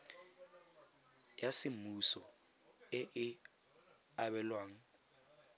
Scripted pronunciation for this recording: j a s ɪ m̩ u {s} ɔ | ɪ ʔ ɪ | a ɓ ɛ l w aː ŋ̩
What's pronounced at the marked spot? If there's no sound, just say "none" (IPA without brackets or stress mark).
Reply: s